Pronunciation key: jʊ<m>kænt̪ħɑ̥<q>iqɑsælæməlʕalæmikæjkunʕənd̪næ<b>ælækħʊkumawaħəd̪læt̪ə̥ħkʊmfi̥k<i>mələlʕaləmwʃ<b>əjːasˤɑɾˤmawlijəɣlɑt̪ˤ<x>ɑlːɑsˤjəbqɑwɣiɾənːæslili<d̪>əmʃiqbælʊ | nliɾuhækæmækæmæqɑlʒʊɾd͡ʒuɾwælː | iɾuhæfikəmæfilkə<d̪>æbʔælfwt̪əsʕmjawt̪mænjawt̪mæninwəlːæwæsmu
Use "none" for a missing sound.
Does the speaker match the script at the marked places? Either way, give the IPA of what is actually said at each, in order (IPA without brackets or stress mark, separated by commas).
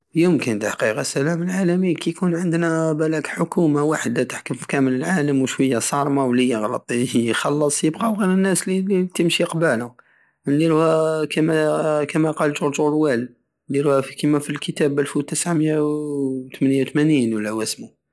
m, q, b, æ, w, x, t̪, t̪